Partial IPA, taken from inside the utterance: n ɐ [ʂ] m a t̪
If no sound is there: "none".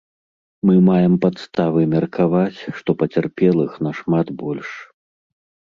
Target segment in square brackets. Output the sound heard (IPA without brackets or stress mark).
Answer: ʂ